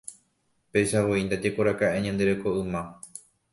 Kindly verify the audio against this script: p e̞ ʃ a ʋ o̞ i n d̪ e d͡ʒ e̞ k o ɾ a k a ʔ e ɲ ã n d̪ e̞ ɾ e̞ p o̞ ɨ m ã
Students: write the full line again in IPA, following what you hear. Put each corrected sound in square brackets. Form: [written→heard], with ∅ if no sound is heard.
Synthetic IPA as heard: p e̞ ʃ a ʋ o̞ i n d̪ [e→a] d͡ʒ e̞ k o ɾ a k a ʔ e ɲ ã n d̪ e̞ ɾ e̞ [p→k] o̞ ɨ m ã